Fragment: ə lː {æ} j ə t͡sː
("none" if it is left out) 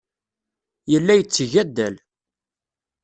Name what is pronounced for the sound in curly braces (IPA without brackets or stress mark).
æ